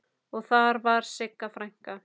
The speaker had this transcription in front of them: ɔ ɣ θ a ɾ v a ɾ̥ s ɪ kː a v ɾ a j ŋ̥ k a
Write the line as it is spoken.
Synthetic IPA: ɔ ɣ θ a ɾ v a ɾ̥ s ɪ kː a f ɾ a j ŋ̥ k a